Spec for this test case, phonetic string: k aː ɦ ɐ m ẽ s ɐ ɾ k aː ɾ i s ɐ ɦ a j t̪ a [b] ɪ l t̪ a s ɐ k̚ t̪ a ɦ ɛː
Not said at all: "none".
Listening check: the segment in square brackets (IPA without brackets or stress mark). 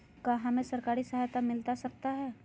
m